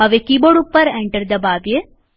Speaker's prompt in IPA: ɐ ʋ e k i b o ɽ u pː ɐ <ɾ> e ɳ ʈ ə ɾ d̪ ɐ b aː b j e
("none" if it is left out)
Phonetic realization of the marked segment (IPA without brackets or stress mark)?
ɾ